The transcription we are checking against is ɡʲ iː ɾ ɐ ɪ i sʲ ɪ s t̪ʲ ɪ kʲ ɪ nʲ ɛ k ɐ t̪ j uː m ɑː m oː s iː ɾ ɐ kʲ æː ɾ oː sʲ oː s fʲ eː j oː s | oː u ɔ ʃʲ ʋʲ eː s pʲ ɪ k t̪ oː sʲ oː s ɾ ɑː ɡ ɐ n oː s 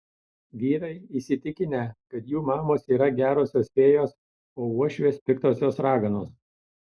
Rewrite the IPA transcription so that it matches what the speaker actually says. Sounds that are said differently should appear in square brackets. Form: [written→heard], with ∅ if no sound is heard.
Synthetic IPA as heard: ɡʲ iː ɾ ɐ ɪ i sʲ ɪ [s→∅] t̪ʲ ɪ kʲ ɪ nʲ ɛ k ɐ t̪ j uː m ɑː m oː s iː ɾ ɐ [kʲ→ɡʲ] æː ɾ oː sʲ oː s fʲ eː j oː s | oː u ɔ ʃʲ ʋʲ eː s pʲ ɪ k t̪ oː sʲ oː s ɾ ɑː ɡ ɐ n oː s

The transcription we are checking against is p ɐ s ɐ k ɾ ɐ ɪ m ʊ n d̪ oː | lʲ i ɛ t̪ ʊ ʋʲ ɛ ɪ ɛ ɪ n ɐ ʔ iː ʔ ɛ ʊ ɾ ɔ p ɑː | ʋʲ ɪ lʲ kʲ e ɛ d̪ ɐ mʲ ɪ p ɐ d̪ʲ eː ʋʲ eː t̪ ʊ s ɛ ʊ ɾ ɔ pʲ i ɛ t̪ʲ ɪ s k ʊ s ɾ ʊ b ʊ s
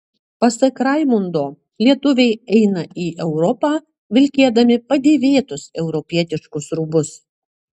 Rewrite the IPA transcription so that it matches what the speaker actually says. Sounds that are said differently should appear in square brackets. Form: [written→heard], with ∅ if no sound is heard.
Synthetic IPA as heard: p ɐ s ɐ k ɾ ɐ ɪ m ʊ n d̪ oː | lʲ i ɛ t̪ ʊ ʋʲ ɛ ɪ ɛ ɪ n ɐ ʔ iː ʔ ɛ ʊ ɾ ɔ p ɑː | ʋʲ ɪ lʲ kʲ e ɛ d̪ ɐ mʲ ɪ p ɐ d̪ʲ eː ʋʲ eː t̪ ʊ s ɛ ʊ ɾ ɔ pʲ i ɛ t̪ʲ ɪ [s→ʃ] k ʊ s ɾ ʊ b ʊ s

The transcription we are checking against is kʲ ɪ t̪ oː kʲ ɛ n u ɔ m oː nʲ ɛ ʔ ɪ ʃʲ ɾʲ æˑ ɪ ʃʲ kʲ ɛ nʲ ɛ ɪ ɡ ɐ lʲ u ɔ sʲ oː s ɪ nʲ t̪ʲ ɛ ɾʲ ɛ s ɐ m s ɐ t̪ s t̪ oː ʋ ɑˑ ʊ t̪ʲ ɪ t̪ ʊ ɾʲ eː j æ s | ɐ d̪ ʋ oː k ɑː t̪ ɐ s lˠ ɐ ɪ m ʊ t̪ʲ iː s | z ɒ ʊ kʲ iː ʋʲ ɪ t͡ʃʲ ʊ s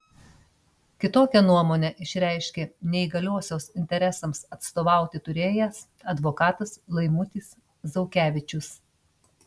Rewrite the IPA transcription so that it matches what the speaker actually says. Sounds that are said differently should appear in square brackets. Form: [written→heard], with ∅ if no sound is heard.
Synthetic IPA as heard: kʲ ɪ t̪ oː kʲ ɛ n u ɔ m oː nʲ ɛ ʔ ɪ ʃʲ ɾʲ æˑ ɪ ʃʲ kʲ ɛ nʲ ɛ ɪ ɡ ɐ lʲ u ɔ sʲ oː s ɪ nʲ t̪ʲ ɛ ɾʲ ɛ s ɐ m s ɐ t̪ s t̪ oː ʋ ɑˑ ʊ t̪ʲ ɪ t̪ ʊ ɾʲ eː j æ s | ɐ d̪ ʋ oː k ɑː t̪ ɐ s lˠ ɐ ɪ m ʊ t̪ʲ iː s | z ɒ ʊ kʲ [iː→æː] ʋʲ ɪ t͡ʃʲ ʊ s

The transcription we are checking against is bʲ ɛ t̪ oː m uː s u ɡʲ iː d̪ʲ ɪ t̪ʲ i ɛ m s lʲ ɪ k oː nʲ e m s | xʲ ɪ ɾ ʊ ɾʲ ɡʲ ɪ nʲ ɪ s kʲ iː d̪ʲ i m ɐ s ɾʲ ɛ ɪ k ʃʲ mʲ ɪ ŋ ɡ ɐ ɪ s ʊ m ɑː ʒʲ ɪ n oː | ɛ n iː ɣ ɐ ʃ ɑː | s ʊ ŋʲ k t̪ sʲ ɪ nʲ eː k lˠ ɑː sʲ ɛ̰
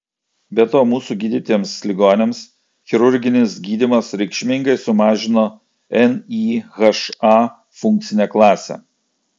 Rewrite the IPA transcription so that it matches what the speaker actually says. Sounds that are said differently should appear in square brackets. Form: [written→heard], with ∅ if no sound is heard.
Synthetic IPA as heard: bʲ ɛ t̪ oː m uː s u ɡʲ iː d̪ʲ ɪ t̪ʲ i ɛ m s lʲ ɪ [k→ɡ] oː nʲ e m s | xʲ ɪ ɾ ʊ ɾʲ ɡʲ ɪ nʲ ɪ s [kʲ→ɡʲ] iː d̪ʲ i m ɐ s ɾʲ ɛ ɪ k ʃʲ mʲ ɪ ŋ ɡ ɐ ɪ s ʊ m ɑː ʒʲ ɪ n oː | ɛ n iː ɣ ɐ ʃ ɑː | [s→f] ʊ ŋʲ k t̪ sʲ ɪ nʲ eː k lˠ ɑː sʲ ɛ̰

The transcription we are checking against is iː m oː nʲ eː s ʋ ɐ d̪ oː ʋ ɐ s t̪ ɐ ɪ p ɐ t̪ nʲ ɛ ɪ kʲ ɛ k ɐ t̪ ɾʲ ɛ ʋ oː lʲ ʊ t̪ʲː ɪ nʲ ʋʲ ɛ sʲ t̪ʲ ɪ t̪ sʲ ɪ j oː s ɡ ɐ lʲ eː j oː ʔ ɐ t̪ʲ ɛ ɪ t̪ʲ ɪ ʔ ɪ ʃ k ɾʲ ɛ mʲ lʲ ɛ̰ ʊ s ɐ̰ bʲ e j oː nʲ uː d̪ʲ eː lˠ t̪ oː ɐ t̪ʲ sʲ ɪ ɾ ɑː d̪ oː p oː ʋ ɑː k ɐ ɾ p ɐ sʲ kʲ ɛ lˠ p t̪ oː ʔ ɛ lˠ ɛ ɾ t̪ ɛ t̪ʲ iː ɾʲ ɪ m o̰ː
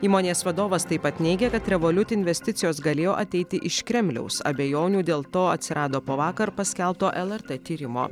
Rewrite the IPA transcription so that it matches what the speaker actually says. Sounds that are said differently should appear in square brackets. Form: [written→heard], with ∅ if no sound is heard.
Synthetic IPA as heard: iː m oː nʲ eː s ʋ ɐ d̪ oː ʋ ɐ s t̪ ɐ ɪ p ɐ t̪ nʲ ɛ ɪ [kʲ→ɡʲ] ɛ k ɐ t̪ ɾʲ ɛ ʋ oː lʲ ʊ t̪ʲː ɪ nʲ ʋʲ ɛ sʲ t̪ʲ ɪ t̪ sʲ ɪ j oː s ɡ ɐ lʲ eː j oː ʔ ɐ t̪ʲ ɛ ɪ t̪ʲ ɪ ʔ ɪ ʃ k ɾʲ ɛ mʲ lʲ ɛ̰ ʊ s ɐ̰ bʲ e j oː nʲ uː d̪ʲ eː lˠ t̪ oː ɐ t̪ʲ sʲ ɪ ɾ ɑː d̪ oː p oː ʋ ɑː k ɐ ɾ p ɐ sʲ kʲ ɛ lˠ p t̪ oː ʔ ɛ lˠ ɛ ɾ t̪ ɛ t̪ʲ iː ɾʲ ɪ m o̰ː

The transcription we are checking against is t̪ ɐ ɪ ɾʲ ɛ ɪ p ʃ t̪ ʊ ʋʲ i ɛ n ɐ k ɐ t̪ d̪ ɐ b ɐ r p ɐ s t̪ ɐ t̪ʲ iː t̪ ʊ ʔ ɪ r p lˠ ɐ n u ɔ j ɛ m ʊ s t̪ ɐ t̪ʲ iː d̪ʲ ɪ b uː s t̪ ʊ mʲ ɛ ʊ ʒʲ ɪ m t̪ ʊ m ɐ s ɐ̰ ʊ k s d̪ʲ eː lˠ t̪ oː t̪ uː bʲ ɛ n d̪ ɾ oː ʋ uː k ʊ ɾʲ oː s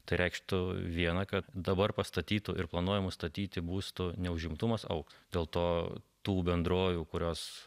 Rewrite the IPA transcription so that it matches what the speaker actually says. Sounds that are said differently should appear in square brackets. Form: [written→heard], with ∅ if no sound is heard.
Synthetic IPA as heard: t̪ ɐ ɪ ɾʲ ɛ ɪ [p→k] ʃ t̪ ʊ ʋʲ i ɛ n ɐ k ɐ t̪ d̪ ɐ b ɐ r p ɐ s t̪ ɐ t̪ʲ iː t̪ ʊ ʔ ɪ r p lˠ ɐ n u ɔ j ɛ m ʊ s t̪ ɐ t̪ʲ iː [d̪ʲ→t̪ʲ] ɪ b uː s t̪ ʊ [mʲ→nʲ] ɛ ʊ ʒʲ ɪ m t̪ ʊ m ɐ s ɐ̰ ʊ k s d̪ʲ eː lˠ t̪ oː t̪ uː bʲ ɛ n d̪ ɾ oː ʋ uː k ʊ ɾʲ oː s

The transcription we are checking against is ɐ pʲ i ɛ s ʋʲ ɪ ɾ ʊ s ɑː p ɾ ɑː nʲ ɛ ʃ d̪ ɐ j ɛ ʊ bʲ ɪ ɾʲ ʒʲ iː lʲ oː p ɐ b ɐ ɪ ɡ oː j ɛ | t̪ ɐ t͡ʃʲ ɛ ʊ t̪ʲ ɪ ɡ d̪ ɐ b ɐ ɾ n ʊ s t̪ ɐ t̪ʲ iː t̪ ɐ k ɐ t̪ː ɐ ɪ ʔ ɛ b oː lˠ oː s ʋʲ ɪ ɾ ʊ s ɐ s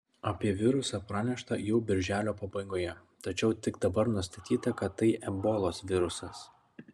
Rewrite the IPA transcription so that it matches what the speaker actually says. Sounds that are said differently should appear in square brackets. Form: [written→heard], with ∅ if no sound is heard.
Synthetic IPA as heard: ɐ pʲ i ɛ [s→∅] ʋʲ ɪ ɾ ʊ s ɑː p ɾ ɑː nʲ ɛ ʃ [d̪→t̪] ɐ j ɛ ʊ bʲ ɪ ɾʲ ʒʲ [iː→æː] lʲ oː p ɐ b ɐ ɪ ɡ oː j ɛ | t̪ ɐ t͡ʃʲ ɛ ʊ t̪ʲ ɪ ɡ d̪ ɐ b ɐ ɾ n ʊ s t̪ ɐ t̪ʲ iː t̪ ɐ k ɐ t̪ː ɐ ɪ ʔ ɛ b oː lˠ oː s ʋʲ ɪ ɾ ʊ s ɐ s

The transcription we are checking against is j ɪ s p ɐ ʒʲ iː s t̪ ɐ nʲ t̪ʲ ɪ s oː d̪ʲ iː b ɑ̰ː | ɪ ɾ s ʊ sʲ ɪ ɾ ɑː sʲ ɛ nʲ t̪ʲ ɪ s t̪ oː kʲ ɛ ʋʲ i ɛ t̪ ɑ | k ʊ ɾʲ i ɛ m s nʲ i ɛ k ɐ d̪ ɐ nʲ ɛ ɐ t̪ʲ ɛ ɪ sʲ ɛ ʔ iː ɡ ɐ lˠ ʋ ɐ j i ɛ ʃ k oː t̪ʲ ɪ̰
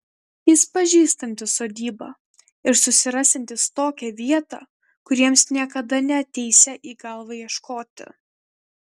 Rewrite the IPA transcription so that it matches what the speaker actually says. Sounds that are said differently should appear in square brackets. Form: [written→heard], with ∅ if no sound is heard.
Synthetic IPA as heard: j ɪ s p ɐ ʒʲ iː s t̪ ɐ nʲ t̪ʲ ɪ s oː d̪ʲ iː b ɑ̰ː | ɪ ɾ s ʊ sʲ ɪ ɾ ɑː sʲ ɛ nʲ t̪ʲ ɪ s t̪ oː kʲ ɛ ʋʲ i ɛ t̪ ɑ | k ʊ ɾʲ i ɛ m s nʲ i ɛ k ɐ d̪ ɐ nʲ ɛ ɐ t̪ʲ ɛ ɪ sʲ ɛ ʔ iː ɡ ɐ lˠ ʋ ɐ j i ɛ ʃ k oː t̪ʲ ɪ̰

